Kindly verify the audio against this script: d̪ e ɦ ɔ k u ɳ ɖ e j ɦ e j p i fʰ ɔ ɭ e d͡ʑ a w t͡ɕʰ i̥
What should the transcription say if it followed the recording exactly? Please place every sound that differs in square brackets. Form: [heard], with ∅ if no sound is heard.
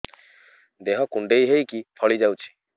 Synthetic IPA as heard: d̪ e ɦ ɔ k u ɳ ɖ e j ɦ e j [k] i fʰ ɔ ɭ [i] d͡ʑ a w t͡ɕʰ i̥